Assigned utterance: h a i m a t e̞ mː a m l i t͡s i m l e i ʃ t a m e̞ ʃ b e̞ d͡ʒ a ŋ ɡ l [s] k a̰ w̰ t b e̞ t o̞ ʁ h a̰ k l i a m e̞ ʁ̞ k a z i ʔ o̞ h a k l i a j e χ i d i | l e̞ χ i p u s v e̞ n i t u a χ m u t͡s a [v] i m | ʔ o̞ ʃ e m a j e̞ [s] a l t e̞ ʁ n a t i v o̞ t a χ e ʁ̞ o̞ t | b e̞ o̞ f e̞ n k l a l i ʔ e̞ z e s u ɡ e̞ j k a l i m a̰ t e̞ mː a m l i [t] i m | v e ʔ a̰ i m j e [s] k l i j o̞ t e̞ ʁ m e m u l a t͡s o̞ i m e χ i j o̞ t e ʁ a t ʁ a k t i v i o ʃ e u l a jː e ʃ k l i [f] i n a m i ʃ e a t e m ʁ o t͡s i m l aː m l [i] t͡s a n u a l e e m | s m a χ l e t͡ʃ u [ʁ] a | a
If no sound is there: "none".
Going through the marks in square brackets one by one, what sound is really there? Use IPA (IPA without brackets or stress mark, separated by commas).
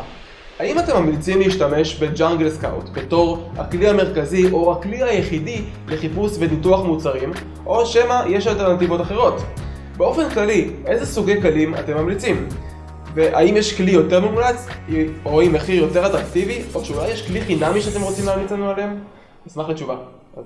s, ʁ, ʃ, t͡s, ʃ, χ, i, v